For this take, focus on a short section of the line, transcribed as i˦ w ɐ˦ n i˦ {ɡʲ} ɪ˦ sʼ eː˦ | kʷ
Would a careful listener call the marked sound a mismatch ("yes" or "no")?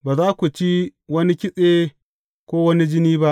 yes